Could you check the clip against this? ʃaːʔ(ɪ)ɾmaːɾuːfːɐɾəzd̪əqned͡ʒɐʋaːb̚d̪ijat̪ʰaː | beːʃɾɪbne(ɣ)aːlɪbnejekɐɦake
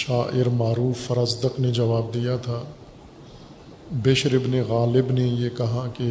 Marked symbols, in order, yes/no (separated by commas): yes, yes